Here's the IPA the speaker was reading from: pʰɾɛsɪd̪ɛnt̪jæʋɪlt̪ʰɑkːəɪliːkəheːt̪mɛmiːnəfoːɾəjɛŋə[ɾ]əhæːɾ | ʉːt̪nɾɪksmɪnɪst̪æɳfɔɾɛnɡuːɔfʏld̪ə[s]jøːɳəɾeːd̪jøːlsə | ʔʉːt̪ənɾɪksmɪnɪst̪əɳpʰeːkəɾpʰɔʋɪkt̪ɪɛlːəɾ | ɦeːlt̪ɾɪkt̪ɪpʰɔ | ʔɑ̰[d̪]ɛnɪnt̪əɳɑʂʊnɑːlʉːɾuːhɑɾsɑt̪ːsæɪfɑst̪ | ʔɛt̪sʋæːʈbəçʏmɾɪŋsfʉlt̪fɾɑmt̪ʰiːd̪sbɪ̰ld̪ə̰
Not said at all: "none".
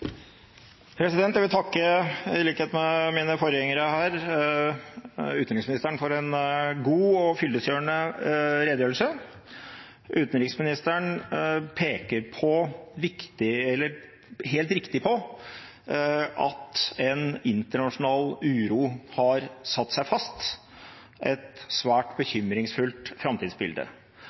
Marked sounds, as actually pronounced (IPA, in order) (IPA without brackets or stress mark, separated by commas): ɾ, s, t̪